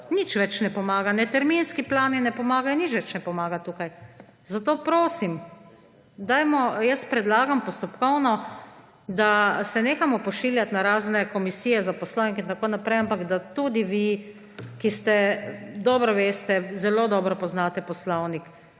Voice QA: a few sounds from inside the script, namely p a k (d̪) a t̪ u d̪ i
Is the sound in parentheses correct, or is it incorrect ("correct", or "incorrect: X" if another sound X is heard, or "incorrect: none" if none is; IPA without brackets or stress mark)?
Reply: correct